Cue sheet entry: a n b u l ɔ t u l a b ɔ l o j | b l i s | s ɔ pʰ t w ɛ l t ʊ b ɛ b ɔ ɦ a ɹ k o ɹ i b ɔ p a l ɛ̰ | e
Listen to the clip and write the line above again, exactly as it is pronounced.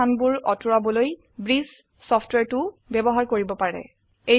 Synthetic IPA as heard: a n b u ɹ ɔ t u ɹ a b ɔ l o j | b ɹ i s | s ɔ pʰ t w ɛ ɹ t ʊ b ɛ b ɔ ɦ a ɹ k o ɹ i b ɔ p a ɹ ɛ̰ | e